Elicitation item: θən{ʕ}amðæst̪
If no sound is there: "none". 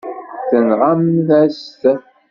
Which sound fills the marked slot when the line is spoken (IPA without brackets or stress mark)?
ʁ